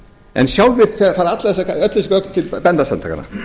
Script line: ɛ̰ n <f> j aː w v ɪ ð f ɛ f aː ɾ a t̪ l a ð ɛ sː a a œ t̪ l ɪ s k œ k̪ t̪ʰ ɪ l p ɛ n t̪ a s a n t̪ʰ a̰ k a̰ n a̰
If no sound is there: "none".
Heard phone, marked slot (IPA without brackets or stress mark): s